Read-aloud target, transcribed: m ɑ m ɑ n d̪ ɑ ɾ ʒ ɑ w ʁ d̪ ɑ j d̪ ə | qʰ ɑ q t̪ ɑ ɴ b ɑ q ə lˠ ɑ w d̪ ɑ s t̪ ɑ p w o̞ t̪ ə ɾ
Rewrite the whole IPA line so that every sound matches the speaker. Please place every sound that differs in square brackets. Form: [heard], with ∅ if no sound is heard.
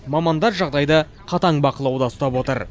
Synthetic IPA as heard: m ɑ m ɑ n d̪ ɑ ɾ ʒ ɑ [∅] ʁ d̪ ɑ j d̪ ə | qʰ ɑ [∅] t̪ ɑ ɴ b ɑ q ə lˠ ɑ w d̪ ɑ s t̪ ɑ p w o̞ t̪ ə ɾ